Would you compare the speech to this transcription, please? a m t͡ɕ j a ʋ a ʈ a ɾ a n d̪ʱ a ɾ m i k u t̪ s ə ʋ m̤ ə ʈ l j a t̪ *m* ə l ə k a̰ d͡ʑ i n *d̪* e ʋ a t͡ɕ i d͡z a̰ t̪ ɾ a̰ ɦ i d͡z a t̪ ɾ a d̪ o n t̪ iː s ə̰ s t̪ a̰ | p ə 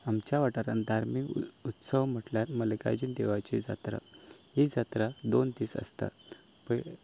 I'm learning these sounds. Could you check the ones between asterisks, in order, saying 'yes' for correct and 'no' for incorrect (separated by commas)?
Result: yes, yes